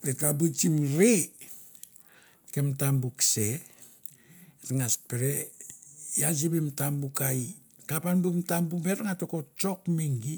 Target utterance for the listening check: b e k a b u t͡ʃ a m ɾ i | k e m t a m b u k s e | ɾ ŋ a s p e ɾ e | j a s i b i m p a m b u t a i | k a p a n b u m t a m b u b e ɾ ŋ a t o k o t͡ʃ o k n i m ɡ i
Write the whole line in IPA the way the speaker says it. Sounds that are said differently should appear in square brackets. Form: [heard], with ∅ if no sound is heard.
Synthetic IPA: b e k a b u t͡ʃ [i] m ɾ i | k e m t a m b u k s e | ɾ ŋ a s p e ɾ e | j a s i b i m [t] a m b u [k] a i | k a p a n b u m t a m b u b e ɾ ŋ a t o k o t͡ʃ o k [m] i [ŋ] ɡ i